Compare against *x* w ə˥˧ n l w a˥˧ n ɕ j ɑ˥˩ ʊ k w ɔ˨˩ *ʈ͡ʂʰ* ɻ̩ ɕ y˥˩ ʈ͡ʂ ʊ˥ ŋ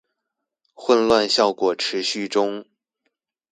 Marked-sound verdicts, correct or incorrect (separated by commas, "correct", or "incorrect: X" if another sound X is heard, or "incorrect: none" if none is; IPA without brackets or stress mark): correct, correct